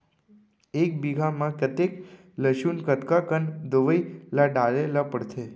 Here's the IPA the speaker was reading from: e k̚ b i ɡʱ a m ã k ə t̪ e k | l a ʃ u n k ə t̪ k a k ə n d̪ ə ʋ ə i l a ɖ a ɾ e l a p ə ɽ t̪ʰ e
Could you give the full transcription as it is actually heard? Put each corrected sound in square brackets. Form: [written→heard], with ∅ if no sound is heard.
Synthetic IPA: e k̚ b i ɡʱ a m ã k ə t̪ e k | l [a→ə] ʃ u n k ə t̪ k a k ə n d̪ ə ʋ ə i l a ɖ a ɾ e l a p ə ɽ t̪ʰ e